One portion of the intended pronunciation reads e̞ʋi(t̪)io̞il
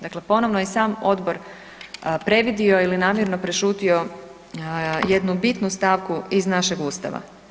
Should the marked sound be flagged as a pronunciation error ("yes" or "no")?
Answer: yes